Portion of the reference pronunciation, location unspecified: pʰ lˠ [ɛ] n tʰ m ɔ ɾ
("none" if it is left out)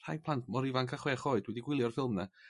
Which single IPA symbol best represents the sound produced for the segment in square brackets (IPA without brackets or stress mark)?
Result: a